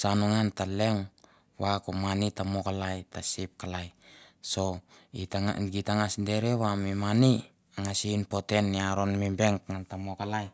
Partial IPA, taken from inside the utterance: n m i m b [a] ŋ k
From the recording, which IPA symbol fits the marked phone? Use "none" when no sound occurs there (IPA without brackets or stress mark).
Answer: e